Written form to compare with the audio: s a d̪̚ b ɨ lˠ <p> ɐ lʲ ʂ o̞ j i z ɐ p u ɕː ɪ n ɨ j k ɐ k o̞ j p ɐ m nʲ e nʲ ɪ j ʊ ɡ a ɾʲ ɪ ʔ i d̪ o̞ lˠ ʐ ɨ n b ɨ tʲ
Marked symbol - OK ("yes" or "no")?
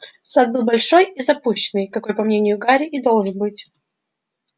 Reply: no